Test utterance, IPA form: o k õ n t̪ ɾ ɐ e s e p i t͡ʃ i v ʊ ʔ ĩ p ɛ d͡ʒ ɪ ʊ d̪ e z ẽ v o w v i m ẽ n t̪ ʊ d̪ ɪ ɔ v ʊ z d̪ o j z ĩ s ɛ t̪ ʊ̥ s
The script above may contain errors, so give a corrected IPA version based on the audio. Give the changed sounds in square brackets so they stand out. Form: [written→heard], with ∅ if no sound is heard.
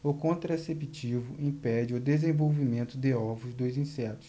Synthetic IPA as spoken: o k õ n t̪ ɾ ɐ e s e p i t͡ʃ i v ʊ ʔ ĩ p ɛ d͡ʒ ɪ ʊ d̪ e z ẽ v o w v i m ẽ n t̪ ʊ d̪ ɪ ɔ v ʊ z d̪ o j z ĩ s ɛ t̪ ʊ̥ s